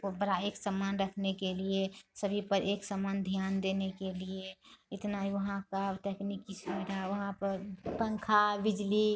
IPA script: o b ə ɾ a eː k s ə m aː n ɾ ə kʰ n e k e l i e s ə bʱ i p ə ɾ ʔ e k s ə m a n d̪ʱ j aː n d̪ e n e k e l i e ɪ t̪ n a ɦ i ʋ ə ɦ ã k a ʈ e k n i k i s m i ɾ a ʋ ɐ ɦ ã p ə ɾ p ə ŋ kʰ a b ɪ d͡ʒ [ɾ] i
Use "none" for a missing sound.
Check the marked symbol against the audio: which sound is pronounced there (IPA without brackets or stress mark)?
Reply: l